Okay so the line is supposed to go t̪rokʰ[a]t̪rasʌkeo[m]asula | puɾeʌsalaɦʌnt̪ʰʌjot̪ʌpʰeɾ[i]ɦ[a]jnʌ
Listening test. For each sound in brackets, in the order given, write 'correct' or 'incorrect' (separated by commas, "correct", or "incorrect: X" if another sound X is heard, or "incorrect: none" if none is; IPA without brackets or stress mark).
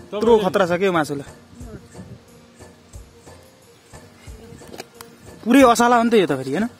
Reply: incorrect: ʌ, correct, correct, incorrect: ʌ